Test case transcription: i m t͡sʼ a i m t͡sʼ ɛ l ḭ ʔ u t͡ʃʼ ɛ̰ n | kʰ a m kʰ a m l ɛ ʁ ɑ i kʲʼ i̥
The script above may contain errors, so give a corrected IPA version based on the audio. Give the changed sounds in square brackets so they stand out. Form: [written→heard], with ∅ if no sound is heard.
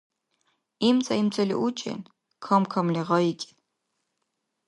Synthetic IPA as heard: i m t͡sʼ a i m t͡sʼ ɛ l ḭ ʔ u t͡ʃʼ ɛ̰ n | kʰ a m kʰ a m l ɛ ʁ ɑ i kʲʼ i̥